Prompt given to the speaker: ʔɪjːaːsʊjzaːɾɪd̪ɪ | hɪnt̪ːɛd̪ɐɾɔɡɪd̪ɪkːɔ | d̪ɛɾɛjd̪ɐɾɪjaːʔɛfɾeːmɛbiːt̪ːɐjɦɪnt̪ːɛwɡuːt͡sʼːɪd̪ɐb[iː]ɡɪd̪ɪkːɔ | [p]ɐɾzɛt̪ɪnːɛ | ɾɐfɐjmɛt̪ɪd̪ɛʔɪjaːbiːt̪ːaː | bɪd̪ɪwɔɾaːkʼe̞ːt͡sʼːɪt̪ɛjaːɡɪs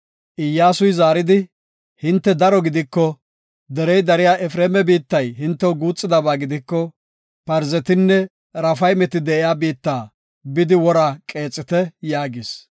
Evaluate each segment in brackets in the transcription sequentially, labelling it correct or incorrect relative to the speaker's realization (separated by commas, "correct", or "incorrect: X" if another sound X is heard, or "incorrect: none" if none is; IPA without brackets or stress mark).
incorrect: aː, correct